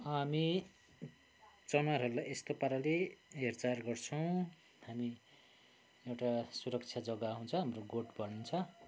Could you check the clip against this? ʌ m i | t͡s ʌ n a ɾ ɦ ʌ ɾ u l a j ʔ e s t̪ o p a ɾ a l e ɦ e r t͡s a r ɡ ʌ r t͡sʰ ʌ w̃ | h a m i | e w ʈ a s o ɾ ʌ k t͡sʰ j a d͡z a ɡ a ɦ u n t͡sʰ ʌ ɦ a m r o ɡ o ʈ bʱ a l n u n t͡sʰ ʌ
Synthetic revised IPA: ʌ m i | t͡s ʌ n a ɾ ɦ ʌ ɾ u l a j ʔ e s t̪ o p a ɾ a l e ɦ e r t͡s a r ɡ ʌ r t͡sʰ ʌ w̃ | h a m i | e w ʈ a s u ɾ ʌ k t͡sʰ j a d͡z ʌ ɡ a ɦ u n t͡sʰ ʌ ɦ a m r o ɡ o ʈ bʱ ʌ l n u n t͡sʰ ʌ

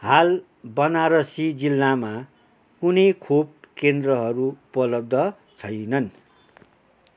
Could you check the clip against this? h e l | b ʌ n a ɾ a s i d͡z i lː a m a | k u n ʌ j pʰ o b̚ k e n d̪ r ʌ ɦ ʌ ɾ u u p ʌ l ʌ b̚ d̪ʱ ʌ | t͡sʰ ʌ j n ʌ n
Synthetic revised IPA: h a l | b ʌ n a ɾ ʌ s i d͡z i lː a m a | k u n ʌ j kʰ o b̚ k e n d̪ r ʌ ɦ ʌ ɾ u u p ʌ l ʌ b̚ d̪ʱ ʌ | t͡sʰ ʌ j n ʌ n

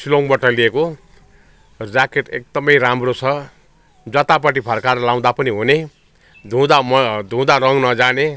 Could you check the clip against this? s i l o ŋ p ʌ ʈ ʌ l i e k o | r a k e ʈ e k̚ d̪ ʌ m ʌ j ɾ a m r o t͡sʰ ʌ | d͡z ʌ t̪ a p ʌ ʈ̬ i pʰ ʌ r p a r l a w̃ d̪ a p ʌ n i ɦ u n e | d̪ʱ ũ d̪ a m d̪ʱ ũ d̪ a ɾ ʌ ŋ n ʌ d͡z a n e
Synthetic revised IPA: s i l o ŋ b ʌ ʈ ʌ l i e k o | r a k e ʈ e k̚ d̪ ʌ m ʌ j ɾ a m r o t͡sʰ ʌ | d͡z ʌ t̪ a p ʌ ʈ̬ i pʰ ʌ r k a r l a w̃ d̪ a p ʌ n i ɦ u n e | d̪ʱ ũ d̪ a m d̪ʱ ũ d̪ a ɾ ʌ ŋ n ʌ d͡z a n e

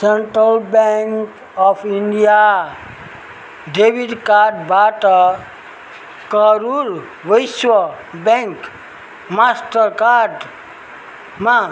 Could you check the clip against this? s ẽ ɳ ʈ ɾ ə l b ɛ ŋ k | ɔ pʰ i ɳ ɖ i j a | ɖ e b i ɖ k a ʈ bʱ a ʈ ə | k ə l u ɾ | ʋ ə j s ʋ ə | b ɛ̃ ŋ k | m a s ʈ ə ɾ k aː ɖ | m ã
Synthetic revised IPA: s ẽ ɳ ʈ ɾ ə l b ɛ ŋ k | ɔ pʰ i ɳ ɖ i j a | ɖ e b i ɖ k a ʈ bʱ a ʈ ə | k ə ɾ u ɾ | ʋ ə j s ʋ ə | b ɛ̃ ŋ k | m a s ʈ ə ɾ k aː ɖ | m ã

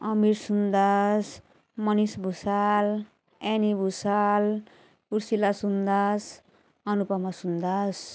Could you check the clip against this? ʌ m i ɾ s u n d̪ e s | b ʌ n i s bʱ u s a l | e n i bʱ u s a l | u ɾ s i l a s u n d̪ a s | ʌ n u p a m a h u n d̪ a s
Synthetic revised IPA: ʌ m i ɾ s u n d̪ a s | m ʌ n i s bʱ u s a l | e n i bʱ u s a l | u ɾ s i l a s u n d̪ a s | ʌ n u p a m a s u n d̪ a s

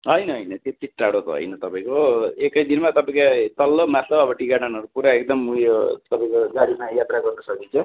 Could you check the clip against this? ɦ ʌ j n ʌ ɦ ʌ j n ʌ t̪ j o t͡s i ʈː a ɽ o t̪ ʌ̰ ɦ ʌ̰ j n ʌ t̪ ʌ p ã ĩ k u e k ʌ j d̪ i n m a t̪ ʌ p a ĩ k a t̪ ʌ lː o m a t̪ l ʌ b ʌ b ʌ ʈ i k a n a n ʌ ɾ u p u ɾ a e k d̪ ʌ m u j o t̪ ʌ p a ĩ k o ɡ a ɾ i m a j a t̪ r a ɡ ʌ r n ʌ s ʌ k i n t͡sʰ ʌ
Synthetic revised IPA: ɦ ʌ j n ʌ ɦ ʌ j n ʌ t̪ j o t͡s i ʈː a ɽ o t̪ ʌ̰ ɦ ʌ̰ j n ʌ t̪ ʌ p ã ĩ k o e k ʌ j d̪ i n m a t̪ ʌ p a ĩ k a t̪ ʌ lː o m a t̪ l ʌ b ʌ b ʌ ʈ i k a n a n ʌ ɾ u p u ɾ a e k d̪ ʌ m u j o t̪ ʌ p a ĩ k o ɡ a ɾ i m a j a t̪ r a ɡ ʌ r n ʌ s ʌ k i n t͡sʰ ʌ

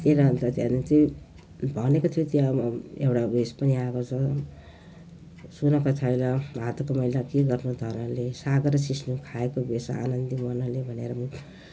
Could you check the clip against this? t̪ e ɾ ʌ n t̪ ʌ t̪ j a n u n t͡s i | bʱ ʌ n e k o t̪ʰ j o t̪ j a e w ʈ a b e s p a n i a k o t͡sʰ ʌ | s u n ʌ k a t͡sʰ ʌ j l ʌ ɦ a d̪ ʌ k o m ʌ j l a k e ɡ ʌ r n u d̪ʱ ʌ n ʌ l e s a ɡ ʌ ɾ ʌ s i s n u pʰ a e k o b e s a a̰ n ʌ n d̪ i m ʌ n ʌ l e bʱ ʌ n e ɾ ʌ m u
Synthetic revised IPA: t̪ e ɾ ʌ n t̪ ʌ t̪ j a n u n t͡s i | bʱ ʌ n e k o t̪ʰ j o t̪ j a e w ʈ a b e s p ʌ n i a k o t͡sʰ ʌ | s u n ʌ k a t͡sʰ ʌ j l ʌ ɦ a t̪ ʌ k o m ʌ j l a k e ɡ ʌ r n u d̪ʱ ʌ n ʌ l e s a ɡ ʌ ɾ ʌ s i s n u kʰ a e k o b e s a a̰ n ʌ n d̪ i m ʌ n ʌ l e bʱ ʌ n e ɾ ʌ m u

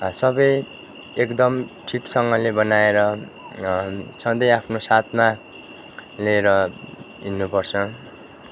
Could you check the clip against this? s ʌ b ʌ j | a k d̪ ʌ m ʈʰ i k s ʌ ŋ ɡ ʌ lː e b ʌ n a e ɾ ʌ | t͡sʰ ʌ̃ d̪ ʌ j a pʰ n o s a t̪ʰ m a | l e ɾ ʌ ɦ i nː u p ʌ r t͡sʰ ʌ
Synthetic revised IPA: s ʌ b ʌ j | e k d̪ ʌ m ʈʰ i k s ʌ ŋ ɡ ʌ l e b ʌ n a e ɾ ʌ | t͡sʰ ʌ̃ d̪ ʌ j a pʰ n o s a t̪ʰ m a | l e ɾ ʌ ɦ i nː u p ʌ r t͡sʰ ʌ

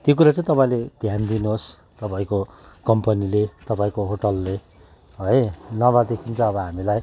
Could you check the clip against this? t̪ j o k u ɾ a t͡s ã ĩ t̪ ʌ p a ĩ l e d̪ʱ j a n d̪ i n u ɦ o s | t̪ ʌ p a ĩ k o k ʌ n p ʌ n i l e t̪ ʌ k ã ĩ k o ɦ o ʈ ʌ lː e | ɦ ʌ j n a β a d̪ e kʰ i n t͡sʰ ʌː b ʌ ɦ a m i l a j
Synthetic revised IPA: t̪ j o k u ɾ a t͡s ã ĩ t̪ ʌ p a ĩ l e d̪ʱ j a n d̪ i n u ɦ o s | t̪ ʌ p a ĩ k o k ʌ m p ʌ n i l e t̪ ʌ p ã ĩ k o ɦ o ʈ ʌ lː e | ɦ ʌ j n ʌ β a d̪ e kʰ i n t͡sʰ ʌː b ʌ ɦ a m i l a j

